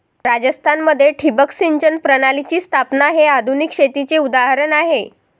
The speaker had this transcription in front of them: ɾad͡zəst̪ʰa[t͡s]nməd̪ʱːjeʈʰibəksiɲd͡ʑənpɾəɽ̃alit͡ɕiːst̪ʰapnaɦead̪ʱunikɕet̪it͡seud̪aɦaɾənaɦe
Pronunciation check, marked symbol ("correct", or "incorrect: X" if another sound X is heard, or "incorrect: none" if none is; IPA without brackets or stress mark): incorrect: none